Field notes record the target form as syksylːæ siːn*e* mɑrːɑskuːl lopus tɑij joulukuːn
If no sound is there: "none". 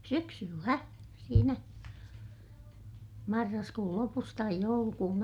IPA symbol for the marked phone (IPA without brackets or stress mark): æ